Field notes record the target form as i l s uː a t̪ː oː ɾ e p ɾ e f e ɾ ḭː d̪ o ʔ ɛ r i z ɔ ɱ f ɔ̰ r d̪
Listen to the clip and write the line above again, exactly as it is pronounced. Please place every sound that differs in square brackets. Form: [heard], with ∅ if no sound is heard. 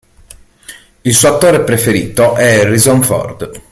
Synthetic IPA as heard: i l s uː a t̪ː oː ɾ e p ɾ e f e ɾ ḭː [t̪] o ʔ ɛ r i z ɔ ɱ f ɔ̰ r d̪